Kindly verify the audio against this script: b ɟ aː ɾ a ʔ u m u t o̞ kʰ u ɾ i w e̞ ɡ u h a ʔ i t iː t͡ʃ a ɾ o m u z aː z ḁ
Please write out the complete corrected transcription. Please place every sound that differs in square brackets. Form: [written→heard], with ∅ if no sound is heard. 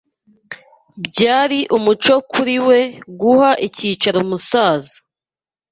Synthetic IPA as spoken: b ɟ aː ɾ [a→i] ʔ u m u [t→t͡ʃ] o̞ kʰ u ɾ i w e̞ ɡ u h a ʔ i [t→c] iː t͡ʃ a ɾ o m u [z→s] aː z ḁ